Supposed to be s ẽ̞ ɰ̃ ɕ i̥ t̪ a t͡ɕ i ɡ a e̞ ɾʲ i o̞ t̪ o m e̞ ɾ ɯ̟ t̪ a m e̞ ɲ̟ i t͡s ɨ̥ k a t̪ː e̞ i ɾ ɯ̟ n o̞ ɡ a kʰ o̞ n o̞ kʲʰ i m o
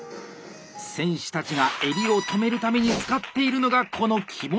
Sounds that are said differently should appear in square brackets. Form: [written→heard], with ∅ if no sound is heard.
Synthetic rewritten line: s ẽ̞ ɰ̃ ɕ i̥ t̪ a t͡ɕ i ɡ a e̞ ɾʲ i o̞ t̪ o m e̞ ɾ ɯ̟ t̪ a m e̞ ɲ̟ i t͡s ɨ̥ k a t̪ː e̞ i ɾ ɯ̟ n o̞ ɡ a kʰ o̞ n o̞ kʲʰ i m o